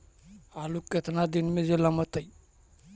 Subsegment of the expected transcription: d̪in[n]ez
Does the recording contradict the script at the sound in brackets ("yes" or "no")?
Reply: yes